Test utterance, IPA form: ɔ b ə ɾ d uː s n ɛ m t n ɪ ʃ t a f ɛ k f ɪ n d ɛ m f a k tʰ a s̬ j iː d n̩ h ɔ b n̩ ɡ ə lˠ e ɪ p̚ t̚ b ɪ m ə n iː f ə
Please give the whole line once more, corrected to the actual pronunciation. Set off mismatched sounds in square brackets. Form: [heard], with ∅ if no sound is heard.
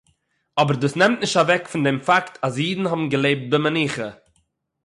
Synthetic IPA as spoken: ɔ b ə ɾ d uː s n ɛ m t n ɪ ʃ t a [v] ɛ k f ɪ n d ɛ m f a k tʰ a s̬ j iː d n̩ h ɔ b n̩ ɡ ə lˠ e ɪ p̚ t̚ b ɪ m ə n iː [χ] ə